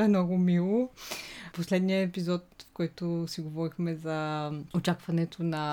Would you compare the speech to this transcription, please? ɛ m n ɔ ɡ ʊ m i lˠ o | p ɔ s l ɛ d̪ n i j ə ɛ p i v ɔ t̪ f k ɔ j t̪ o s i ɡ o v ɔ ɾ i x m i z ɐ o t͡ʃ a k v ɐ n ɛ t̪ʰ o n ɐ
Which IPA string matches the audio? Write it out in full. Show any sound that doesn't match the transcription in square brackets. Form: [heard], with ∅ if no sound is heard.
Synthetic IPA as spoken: ɛ m n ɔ ɡ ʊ m i lˠ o | p [o] s l ɛ d̪ n i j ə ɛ p i [z] ɔ t̪ f k ɔ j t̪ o s i ɡ o v ɔ ɾ i x m [ɛ] z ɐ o t͡ʃ a k v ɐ n ɛ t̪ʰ o n ɐ